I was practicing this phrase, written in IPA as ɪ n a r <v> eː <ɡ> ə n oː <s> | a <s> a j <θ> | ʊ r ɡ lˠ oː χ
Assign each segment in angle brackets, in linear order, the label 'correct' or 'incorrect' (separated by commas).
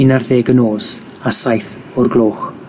incorrect, correct, correct, correct, correct